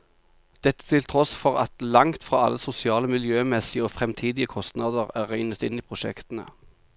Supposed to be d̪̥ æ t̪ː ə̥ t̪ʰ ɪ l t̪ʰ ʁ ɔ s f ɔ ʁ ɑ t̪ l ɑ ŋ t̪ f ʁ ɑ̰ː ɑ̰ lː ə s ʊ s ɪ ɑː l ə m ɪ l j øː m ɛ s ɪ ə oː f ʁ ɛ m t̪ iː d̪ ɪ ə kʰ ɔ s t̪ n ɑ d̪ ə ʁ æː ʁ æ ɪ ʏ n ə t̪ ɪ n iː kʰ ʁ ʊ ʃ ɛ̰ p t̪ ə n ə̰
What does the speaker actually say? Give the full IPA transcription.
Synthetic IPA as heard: d̪̥ ɛ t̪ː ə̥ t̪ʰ ɪ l t̪ʰ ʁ ɔ s f ɔ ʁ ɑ t̪ l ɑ ŋ t̪ f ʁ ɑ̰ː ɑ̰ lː ə s ʊ s ɪ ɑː l ə m ɪ l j øː m ɛ s ɪ ə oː f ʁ ɛ m t̪ʰ iː d̪ ɪ ə kʰ ɔ s t̪ n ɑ d̪ ə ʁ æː ʁ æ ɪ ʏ n ə t̪ ɪ n iː pʰ ʁ ʊ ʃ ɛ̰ k t̪ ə n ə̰